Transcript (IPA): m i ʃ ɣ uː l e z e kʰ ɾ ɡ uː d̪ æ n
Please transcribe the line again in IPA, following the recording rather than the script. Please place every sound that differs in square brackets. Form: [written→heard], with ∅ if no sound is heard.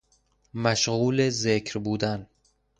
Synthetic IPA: m [i→æ] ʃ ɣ uː l e z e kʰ ɾ [ɡ→b] uː d̪ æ n